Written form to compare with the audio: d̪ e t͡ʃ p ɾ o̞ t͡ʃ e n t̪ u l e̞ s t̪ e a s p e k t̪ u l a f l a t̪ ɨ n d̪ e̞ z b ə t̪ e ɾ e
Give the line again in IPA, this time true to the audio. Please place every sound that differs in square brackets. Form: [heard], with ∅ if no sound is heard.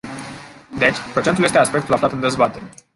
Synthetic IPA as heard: d̪ e t͡ʃ p ɾ o̞ t͡ʃ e n t̪ u l e̞ s t̪ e a s p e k t̪ u l a f l a t̪ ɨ n d̪ e̞ z b [a] t̪ e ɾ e